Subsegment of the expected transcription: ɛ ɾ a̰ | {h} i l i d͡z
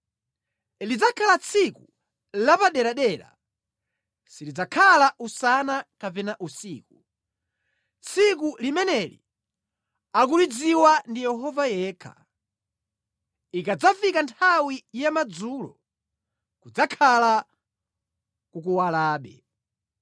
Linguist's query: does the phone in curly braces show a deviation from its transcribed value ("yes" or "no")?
yes